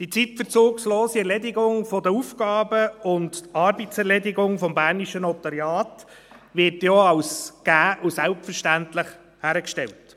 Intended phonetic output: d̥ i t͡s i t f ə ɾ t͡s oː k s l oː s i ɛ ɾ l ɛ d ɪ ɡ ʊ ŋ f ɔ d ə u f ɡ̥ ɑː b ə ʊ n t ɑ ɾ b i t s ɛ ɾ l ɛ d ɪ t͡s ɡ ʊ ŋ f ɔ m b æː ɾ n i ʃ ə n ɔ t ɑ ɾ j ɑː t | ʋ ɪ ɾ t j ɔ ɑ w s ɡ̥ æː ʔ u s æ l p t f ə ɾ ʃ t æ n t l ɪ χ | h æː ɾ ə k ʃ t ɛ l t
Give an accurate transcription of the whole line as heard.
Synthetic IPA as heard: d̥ i t͡s i t f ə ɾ t͡s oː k s l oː s i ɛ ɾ l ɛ d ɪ ɡ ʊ ŋ f ɔ d ə u f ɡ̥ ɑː b ə ʊ n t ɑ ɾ b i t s ɛ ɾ l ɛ d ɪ ɡ ʊ ŋ f ɔ m b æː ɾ n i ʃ ə n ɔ t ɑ ɾ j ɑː t | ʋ ɪ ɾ t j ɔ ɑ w s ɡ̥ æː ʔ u s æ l p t f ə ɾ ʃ t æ n t l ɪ χ | h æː ɾ ə k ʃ t ɛ l t